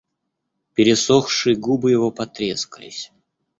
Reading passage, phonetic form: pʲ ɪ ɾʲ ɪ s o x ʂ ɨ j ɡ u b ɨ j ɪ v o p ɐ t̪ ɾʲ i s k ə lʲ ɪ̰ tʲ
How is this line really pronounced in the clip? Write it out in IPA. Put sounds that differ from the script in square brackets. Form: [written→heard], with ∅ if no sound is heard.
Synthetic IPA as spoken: pʲ ɪ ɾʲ ɪ s o x ʂ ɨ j ɡ u b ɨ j ɪ v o p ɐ t̪ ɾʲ [i→e] s k ə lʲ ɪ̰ [tʲ→sʲ]